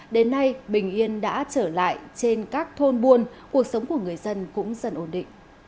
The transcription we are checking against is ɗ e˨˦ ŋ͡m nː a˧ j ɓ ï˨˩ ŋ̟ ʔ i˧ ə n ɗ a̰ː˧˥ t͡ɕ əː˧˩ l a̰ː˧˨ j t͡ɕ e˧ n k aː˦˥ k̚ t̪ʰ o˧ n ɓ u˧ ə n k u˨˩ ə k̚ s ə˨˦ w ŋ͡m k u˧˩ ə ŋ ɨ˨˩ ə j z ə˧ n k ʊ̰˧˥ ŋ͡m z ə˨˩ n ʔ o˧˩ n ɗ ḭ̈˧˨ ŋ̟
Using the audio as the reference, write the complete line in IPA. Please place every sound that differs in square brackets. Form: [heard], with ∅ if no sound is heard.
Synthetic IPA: ɗ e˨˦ [∅] nː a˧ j ɓ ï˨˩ ŋ̟ ʔ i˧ ə n ɗ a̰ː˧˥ t͡ɕ əː˧˩ l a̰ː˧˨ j t͡ɕ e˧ n k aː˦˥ k̚ t̪ʰ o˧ n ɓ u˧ ə n k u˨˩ ə k̚ s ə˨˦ w ŋ͡m k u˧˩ ə ŋ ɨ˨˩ ə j z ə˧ n k ʊ̰˧˥ ŋ͡m z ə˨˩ n ʔ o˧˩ n ɗ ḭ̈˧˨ ŋ̟